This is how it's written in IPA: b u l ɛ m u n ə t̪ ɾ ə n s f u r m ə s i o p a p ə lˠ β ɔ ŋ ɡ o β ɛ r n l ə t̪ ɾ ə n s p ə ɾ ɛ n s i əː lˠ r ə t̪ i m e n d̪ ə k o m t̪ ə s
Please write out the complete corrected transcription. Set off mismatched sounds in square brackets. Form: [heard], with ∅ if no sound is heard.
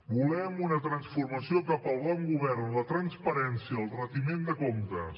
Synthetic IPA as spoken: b u l ɛ m u n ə t̪ ɾ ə n s f u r m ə s i o [k] a p ə lˠ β ɔ ŋ ɡ [u] β ɛ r n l ə t̪ ɾ ə n s p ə ɾ ɛ n s i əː lˠ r ə t̪ i m e n d̪ ə k o m t̪ ə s